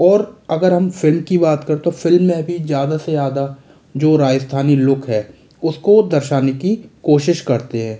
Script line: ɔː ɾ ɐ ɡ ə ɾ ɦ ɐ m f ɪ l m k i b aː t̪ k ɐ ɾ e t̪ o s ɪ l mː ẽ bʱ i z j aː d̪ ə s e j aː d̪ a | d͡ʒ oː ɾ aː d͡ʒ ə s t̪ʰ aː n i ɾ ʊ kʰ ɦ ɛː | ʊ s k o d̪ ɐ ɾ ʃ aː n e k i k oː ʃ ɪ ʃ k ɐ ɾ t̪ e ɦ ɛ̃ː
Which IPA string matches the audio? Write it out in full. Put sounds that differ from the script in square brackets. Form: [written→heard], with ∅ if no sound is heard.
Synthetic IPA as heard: ɔː ɾ ɐ ɡ ə ɾ ɦ ɐ m f ɪ l m k i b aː t̪ k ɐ ɾ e t̪ o [s→f] ɪ l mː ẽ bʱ i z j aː d̪ [ə→a] s e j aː d̪ a | d͡ʒ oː ɾ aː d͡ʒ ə s t̪ʰ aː n i [ɾ→l] ʊ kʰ ɦ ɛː | ʊ s k o d̪ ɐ ɾ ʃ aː n e k i k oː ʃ ɪ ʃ k ɐ ɾ t̪ e ɦ ɛ̃ː